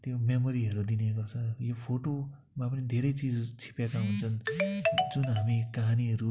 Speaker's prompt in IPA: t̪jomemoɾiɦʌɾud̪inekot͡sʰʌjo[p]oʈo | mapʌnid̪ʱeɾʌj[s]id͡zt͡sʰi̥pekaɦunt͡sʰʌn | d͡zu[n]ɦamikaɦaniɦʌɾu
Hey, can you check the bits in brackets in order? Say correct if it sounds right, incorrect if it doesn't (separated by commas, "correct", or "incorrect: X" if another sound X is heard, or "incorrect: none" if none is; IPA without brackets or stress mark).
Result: incorrect: pʰ, incorrect: t͡s, correct